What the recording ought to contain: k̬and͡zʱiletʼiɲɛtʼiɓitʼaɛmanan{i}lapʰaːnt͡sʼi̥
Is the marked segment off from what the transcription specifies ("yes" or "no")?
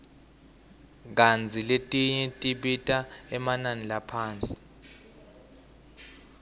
no